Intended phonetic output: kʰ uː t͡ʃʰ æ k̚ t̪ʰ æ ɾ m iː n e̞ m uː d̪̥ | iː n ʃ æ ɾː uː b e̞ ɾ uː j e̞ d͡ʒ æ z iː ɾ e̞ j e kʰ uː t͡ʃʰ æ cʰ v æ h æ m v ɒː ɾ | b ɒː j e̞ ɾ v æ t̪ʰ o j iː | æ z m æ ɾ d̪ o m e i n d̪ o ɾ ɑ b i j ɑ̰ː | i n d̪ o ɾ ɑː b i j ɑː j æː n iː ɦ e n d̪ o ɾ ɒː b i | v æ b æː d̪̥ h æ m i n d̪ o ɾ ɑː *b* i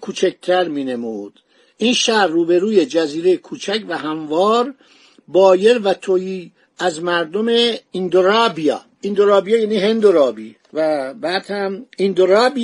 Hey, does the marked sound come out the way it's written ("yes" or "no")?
yes